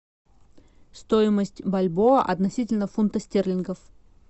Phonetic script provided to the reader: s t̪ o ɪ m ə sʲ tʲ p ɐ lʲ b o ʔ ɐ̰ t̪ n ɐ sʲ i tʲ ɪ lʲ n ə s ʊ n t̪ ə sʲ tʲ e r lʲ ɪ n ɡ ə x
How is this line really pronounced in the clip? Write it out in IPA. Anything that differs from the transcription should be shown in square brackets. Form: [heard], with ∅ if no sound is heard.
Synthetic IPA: s t̪ o ɪ m ə sʲ tʲ [b] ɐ lʲ b o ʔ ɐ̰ t̪ n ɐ sʲ i tʲ ɪ lʲ n ə [f] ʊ n t̪ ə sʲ tʲ e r lʲ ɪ n ɡ ə [f]

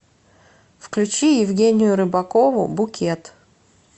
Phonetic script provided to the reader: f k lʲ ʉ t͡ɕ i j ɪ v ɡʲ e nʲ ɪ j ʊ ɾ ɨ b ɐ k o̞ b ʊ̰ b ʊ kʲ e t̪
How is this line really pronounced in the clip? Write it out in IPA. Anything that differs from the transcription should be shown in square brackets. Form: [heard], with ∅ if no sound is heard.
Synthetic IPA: f k lʲ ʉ t͡ɕ i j ɪ v ɡʲ e nʲ ɪ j ʊ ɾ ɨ b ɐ k o̞ [v] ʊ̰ b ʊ kʲ e t̪

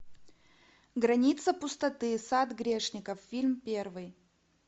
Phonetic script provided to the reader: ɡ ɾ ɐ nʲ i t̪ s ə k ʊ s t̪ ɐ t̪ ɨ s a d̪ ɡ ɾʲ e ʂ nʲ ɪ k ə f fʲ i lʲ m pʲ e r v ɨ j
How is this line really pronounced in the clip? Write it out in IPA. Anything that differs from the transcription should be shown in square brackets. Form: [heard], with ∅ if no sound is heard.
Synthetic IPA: ɡ ɾ ɐ nʲ i t̪ s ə [p] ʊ s t̪ ɐ t̪ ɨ s a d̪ ɡ ɾʲ e ʂ nʲ ɪ k ə f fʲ i lʲ m pʲ e r v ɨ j

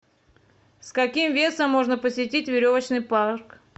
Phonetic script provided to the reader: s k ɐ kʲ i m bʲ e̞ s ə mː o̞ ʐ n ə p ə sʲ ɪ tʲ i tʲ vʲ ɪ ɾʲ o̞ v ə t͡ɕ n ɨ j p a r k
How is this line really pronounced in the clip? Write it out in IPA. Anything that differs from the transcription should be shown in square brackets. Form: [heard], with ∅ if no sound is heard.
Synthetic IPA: s k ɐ kʲ i m [vʲ] e̞ s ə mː o̞ ʐ n ə p ə sʲ ɪ tʲ i tʲ vʲ ɪ ɾʲ o̞ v ə t͡ɕ n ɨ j p a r k

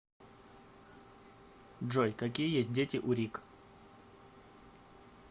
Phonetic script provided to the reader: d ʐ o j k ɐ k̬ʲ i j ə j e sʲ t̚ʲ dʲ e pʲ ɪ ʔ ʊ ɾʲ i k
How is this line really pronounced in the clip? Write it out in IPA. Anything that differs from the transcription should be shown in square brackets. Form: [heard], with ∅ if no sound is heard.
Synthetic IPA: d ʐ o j k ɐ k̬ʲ i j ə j e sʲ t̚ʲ dʲ e [tʲ] ɪ ʔ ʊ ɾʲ i k

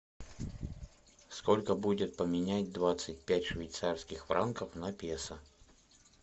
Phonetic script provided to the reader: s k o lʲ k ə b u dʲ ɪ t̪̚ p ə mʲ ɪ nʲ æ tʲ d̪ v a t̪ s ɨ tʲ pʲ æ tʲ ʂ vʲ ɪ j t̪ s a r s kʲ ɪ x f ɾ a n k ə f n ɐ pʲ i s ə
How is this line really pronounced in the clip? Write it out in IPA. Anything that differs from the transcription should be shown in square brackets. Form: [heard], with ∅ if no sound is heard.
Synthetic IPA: s k o lʲ k ə b u dʲ ɪ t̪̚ p ə mʲ ɪ nʲ æ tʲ d̪ v a t̪ s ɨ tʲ pʲ æ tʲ ʂ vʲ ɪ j t̪ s a r s kʲ ɪ x f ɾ a n k ə f n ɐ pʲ [e] s ə

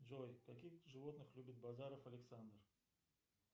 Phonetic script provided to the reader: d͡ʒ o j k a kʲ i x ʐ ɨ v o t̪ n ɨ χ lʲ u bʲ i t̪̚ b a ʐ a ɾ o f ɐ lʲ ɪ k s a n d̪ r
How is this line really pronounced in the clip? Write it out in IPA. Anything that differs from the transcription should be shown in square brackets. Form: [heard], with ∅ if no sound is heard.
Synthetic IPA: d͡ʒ o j k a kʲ i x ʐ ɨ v o t̪ n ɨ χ lʲ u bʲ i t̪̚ b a [z] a ɾ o f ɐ lʲ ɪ k s a n d̪ r

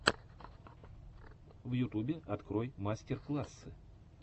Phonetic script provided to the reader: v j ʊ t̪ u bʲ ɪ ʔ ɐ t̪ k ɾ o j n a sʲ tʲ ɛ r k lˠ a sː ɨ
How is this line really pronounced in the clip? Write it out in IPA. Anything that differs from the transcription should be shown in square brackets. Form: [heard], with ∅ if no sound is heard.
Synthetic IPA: v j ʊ t̪ u bʲ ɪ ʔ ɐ t̪ k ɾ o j [m] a sʲ tʲ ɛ r k lˠ a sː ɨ

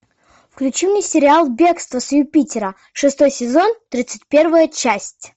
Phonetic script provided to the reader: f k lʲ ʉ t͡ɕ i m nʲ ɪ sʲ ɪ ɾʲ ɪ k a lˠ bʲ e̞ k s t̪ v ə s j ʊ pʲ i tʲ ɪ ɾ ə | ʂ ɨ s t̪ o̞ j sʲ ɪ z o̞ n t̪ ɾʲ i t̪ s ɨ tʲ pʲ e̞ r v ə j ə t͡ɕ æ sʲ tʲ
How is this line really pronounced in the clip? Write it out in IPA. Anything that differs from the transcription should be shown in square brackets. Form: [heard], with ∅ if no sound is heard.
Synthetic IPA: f k lʲ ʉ t͡ɕ i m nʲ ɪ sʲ ɪ ɾʲ ɪ [∅] a lˠ bʲ e̞ k s t̪ v ə s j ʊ pʲ i tʲ ɪ ɾ ə | ʂ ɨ s t̪ o̞ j sʲ ɪ z o̞ n t̪ ɾʲ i t̪ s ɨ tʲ pʲ e̞ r v ə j ə t͡ɕ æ sʲ tʲ

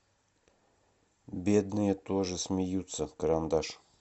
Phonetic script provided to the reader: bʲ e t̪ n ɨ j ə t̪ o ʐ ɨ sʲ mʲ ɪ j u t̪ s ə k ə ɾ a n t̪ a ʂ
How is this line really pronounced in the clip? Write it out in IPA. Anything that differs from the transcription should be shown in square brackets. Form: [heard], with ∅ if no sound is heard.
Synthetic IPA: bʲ e [d̪] n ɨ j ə t̪ o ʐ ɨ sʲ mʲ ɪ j u t̪ s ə k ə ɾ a n [d̪] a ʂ

